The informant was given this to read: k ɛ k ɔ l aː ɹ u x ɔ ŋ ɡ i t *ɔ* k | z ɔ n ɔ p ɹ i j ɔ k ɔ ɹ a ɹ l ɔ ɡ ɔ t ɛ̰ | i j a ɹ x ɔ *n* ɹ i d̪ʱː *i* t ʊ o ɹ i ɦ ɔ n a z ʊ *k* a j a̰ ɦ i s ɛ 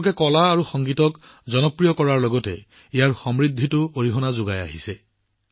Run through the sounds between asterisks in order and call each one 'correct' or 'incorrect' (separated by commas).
correct, incorrect, correct, incorrect